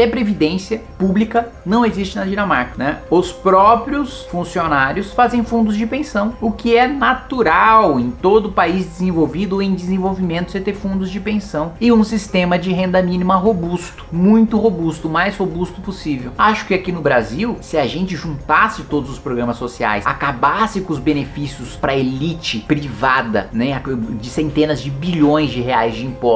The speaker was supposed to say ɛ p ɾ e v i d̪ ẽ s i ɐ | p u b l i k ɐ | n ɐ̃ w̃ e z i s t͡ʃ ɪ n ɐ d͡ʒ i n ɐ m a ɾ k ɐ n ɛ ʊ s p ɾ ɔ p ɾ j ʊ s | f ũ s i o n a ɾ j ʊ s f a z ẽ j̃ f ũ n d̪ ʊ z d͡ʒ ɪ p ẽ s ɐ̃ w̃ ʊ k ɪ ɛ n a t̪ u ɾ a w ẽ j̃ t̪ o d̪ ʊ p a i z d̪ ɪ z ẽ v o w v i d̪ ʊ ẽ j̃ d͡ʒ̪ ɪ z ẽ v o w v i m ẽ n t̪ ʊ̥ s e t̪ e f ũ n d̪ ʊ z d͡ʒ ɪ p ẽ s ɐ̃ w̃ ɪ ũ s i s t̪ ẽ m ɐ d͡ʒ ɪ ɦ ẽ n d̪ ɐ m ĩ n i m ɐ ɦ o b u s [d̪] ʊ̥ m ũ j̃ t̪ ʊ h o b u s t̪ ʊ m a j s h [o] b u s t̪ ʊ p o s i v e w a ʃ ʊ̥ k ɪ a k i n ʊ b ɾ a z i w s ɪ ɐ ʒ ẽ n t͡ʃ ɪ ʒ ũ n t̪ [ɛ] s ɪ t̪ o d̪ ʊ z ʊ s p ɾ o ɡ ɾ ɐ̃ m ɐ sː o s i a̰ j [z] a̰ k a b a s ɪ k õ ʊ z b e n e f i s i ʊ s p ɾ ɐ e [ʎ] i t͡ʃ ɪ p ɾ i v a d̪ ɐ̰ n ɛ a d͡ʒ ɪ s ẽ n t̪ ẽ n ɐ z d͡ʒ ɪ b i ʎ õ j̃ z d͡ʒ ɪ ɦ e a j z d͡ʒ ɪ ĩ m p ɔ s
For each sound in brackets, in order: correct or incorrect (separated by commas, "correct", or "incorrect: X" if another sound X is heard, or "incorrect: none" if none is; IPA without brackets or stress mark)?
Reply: incorrect: t̪, correct, incorrect: a, incorrect: s, incorrect: l